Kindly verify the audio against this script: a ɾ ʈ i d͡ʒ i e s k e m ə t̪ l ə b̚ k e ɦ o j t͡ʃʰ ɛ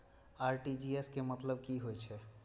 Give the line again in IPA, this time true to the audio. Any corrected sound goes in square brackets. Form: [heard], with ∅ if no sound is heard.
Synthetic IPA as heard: a ɾ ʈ i d͡ʒ i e s k e m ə t̪ l ə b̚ k [i] ɦ o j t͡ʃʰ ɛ